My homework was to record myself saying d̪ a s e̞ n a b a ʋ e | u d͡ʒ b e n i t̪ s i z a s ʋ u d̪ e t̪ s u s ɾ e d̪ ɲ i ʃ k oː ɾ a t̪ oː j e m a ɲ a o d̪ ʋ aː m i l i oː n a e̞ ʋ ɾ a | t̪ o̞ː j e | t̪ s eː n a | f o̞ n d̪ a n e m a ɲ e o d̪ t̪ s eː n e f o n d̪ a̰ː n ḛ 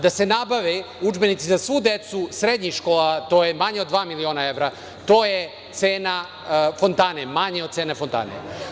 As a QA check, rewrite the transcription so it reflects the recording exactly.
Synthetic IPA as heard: d̪ a s e̞ n a b a ʋ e | u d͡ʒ b e n i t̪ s i z a s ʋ u d̪ e t̪ s u s ɾ e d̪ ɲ i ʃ k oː l a t̪ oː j e m a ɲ e o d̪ ʋ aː m i l i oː n a e̞ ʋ ɾ a | t̪ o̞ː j e | t̪ s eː n a | f o̞ n t̪ a n e m a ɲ e o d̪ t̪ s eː n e f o n t̪ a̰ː n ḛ